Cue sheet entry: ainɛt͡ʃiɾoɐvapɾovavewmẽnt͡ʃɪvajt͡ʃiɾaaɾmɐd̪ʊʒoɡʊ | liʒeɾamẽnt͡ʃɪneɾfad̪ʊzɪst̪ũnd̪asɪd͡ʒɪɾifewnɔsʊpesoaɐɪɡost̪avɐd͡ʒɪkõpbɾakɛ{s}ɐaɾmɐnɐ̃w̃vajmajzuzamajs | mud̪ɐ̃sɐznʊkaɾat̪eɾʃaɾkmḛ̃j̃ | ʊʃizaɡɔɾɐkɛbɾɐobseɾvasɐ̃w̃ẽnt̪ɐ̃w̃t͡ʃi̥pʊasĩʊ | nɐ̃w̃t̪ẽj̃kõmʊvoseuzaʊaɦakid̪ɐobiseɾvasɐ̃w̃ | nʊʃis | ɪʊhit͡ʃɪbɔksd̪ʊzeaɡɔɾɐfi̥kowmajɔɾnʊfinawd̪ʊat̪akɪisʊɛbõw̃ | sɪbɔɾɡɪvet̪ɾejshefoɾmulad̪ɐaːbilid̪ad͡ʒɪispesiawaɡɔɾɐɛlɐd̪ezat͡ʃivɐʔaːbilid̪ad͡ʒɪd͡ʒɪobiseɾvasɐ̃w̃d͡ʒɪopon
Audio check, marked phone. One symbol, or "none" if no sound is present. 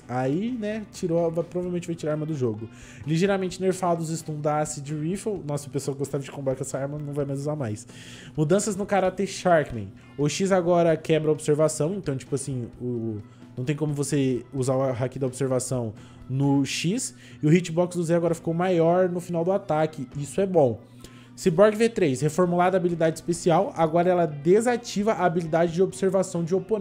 s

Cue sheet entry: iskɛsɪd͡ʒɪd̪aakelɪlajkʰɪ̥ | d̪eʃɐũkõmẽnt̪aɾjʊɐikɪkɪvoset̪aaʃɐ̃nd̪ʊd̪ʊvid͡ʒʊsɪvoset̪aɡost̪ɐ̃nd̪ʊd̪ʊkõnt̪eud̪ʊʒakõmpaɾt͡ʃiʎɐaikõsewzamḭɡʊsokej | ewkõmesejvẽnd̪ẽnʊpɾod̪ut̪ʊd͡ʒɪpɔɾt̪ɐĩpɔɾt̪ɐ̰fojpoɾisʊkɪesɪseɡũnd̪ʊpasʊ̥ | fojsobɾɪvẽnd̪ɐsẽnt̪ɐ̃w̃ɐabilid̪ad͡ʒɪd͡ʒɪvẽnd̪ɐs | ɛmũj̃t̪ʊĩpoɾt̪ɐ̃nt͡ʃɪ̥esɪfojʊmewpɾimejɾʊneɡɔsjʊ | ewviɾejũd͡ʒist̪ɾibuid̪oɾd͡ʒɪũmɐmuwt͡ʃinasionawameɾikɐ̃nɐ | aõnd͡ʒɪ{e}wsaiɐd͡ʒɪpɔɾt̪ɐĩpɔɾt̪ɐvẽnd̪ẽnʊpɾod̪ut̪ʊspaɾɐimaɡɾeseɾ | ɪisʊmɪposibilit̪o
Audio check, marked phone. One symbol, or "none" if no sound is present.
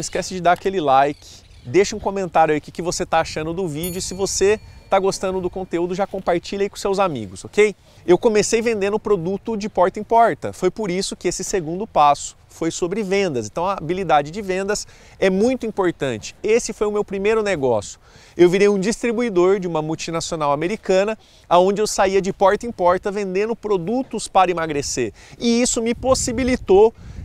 e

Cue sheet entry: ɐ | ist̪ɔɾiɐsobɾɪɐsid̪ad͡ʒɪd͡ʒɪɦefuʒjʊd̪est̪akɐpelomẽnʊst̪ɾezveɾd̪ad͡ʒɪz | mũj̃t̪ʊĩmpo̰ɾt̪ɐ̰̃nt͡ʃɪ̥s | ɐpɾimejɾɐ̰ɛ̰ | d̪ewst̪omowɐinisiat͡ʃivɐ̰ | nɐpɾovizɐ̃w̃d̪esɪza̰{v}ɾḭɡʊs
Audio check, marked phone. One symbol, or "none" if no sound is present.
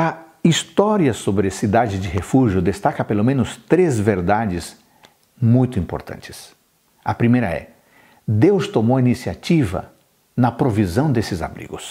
b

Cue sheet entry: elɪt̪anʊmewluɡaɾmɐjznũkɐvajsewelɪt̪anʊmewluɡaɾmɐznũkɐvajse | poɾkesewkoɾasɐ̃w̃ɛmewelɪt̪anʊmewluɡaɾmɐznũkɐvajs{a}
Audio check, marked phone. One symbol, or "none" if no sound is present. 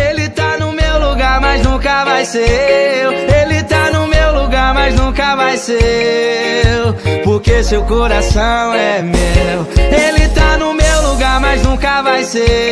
e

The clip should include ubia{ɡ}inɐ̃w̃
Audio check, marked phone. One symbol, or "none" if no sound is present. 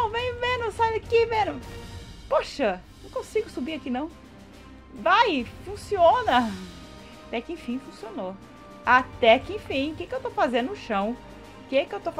k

